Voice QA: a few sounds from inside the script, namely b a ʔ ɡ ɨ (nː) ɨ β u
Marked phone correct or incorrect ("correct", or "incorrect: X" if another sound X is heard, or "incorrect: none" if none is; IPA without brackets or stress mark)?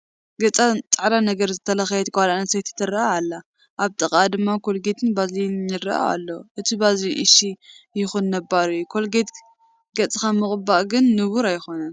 correct